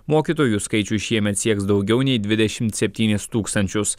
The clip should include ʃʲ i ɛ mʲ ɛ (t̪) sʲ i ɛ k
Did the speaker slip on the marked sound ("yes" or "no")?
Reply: no